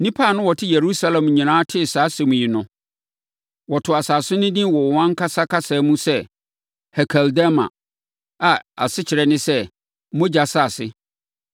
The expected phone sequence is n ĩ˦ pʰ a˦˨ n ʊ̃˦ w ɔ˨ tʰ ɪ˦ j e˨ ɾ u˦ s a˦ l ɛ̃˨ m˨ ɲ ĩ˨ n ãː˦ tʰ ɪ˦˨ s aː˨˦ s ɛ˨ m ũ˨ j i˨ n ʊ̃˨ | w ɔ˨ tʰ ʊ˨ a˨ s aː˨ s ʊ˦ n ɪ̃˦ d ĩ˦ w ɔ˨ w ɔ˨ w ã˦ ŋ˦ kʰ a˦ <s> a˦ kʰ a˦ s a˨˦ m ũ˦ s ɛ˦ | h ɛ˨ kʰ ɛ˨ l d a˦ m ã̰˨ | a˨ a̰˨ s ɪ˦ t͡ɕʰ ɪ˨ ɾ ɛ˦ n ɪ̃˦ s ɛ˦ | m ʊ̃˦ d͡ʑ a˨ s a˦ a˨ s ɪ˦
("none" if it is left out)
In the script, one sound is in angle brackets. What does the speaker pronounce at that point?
s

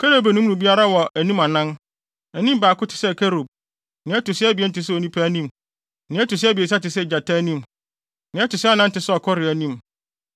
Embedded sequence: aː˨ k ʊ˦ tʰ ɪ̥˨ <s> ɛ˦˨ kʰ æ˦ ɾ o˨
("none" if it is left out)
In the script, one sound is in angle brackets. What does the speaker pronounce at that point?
s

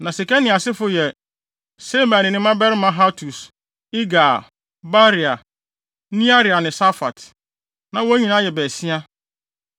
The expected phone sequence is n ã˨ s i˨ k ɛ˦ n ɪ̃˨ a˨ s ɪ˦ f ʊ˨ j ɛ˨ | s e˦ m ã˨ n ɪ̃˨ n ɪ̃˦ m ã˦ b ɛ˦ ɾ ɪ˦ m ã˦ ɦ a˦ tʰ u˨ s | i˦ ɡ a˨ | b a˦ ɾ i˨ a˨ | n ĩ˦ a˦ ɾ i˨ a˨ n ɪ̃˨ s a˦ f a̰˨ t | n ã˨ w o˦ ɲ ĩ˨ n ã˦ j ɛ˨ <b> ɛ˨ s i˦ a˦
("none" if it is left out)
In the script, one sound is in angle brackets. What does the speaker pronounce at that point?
b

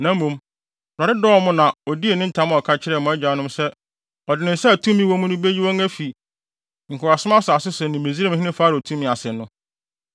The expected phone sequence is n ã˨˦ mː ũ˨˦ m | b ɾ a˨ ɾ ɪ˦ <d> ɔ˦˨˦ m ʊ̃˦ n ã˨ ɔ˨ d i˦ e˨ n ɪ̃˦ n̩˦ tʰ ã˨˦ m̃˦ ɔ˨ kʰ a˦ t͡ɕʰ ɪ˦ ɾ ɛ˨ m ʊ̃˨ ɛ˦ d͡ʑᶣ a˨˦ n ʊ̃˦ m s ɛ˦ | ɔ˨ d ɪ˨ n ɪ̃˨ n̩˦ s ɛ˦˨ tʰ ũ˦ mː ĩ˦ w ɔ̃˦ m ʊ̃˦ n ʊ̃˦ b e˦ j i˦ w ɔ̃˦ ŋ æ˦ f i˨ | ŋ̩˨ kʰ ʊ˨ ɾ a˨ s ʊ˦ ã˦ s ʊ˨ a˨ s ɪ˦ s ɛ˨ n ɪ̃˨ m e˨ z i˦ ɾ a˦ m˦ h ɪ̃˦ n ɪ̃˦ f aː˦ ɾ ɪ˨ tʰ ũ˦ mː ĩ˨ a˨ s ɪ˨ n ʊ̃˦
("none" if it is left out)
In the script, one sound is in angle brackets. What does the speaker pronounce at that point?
d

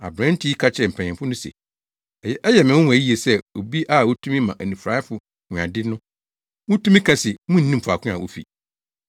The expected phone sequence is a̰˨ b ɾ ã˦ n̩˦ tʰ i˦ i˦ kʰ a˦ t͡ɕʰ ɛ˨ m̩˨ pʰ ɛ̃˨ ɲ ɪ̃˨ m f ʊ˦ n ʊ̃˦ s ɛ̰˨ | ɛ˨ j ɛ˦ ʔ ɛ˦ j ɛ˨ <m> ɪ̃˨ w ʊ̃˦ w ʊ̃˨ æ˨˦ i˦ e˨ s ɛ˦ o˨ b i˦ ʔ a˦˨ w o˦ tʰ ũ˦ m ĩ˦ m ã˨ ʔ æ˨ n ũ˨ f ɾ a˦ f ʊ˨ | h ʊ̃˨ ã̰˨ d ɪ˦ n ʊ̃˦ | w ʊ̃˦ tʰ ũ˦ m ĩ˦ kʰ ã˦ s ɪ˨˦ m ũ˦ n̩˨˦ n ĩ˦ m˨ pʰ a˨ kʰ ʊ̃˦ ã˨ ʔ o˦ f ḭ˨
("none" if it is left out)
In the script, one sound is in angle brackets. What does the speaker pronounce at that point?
m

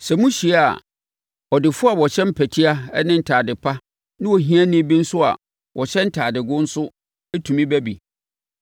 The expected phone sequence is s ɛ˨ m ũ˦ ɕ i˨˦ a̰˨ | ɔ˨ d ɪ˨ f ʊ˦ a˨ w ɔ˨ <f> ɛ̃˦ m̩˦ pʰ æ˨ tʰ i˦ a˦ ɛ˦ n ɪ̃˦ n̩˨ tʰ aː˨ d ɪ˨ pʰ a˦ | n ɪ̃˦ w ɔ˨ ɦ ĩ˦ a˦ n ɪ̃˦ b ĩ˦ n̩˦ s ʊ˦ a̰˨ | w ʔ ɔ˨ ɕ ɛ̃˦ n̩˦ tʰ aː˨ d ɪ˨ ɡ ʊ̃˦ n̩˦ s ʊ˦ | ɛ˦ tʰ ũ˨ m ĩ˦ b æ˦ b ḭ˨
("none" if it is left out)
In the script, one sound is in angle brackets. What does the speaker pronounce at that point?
ɕ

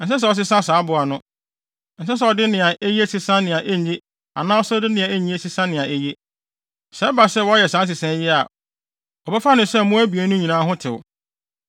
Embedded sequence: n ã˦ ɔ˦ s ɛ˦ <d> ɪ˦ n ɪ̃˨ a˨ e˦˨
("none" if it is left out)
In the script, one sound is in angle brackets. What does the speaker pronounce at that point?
d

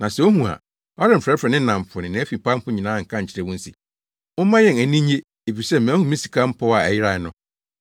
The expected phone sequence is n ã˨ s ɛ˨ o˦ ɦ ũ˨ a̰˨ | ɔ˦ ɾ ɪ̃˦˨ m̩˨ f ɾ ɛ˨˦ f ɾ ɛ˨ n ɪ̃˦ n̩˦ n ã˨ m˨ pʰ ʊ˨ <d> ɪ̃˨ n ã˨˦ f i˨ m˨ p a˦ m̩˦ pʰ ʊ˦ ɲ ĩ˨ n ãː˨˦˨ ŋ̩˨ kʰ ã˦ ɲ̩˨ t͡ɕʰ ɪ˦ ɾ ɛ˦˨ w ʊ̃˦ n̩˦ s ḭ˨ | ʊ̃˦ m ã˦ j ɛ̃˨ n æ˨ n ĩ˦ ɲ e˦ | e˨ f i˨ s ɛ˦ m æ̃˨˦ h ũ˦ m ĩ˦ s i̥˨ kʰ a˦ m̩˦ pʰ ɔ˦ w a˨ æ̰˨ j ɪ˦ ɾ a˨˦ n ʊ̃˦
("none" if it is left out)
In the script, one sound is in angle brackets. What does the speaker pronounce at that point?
n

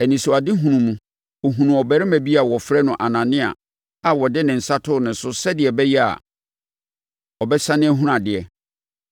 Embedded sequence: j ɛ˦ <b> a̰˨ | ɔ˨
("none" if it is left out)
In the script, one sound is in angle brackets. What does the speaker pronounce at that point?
none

